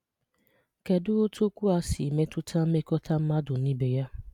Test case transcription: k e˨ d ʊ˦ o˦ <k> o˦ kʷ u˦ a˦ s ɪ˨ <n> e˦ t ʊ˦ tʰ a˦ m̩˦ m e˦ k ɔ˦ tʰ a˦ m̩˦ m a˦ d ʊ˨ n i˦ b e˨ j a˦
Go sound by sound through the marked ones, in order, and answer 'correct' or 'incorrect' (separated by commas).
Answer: incorrect, incorrect